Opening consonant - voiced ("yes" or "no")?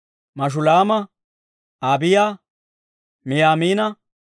yes